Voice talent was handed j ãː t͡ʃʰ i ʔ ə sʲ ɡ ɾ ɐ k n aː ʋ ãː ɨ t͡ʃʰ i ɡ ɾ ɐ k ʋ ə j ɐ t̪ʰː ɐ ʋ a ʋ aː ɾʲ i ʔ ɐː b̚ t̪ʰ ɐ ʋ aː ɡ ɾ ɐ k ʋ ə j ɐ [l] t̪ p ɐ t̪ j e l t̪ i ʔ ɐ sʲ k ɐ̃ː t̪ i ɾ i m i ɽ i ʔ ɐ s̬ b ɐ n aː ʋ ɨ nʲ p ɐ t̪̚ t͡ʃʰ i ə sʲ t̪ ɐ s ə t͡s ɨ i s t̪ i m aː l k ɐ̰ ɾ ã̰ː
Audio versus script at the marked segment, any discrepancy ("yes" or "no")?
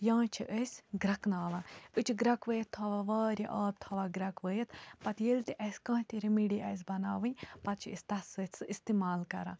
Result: yes